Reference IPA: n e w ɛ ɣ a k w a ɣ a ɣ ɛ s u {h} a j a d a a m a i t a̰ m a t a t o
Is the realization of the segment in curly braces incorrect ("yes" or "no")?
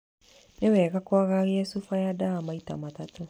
yes